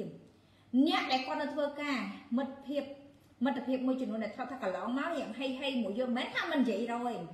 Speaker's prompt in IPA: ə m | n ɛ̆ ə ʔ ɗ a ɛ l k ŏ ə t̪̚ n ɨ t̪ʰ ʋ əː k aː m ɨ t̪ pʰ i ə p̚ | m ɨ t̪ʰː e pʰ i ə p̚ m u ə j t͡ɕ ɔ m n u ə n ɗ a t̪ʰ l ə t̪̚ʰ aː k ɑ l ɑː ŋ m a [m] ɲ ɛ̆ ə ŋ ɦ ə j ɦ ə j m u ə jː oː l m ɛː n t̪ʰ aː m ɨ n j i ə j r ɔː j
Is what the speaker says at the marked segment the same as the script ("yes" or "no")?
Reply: no